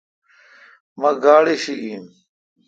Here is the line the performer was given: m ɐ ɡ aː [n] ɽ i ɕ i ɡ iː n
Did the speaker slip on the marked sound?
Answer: yes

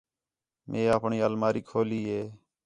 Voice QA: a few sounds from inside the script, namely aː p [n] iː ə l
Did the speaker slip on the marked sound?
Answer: yes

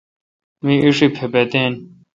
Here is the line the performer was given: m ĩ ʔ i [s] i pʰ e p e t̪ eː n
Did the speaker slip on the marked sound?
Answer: yes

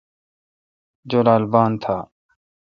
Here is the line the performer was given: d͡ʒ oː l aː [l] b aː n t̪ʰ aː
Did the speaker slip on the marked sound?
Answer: no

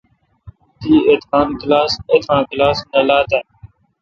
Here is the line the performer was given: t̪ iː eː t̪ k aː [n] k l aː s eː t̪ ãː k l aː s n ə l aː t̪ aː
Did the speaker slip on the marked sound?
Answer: no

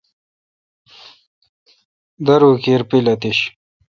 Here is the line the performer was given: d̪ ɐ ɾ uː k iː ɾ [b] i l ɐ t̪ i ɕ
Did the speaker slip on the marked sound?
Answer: yes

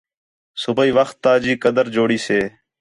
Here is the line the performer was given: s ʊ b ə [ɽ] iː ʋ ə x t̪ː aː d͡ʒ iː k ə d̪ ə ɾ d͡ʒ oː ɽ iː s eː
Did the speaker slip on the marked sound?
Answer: yes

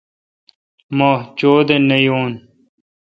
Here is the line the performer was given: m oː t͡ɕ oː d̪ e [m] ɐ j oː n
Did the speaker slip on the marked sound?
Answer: yes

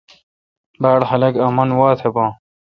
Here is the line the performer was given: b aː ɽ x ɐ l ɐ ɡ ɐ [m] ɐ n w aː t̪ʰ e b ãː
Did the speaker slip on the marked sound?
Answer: no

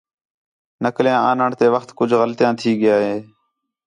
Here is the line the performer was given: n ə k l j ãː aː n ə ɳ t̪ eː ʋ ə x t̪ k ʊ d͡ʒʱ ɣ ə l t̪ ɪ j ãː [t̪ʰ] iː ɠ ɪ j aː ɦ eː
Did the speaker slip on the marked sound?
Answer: no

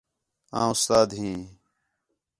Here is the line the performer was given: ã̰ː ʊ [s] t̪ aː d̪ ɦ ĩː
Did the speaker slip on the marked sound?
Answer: no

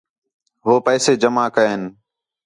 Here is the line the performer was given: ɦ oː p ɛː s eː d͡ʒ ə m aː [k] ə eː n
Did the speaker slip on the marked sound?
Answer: no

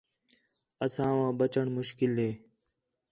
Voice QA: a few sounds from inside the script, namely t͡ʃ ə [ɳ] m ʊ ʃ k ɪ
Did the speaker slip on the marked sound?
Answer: no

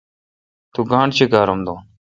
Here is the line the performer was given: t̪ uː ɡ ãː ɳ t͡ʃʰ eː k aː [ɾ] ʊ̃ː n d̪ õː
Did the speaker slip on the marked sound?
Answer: no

